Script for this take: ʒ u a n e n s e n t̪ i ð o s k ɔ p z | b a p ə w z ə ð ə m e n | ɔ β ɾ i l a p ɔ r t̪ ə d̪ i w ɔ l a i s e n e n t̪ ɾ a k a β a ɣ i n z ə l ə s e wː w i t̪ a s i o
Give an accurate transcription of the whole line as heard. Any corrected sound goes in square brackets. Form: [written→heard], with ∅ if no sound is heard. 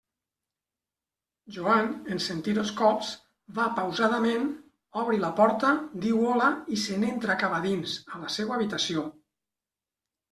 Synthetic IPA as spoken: ʒ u a n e n s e n t̪ i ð o s k ɔ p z | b a p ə w z [ə→a] ð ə m e n | ɔ β ɾ i l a p ɔ [r→ɾ] t̪ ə d̪ i w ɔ l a i s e n e n t̪ ɾ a k a β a [ɣ→ð] i n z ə l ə s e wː [w→β] i t̪ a s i o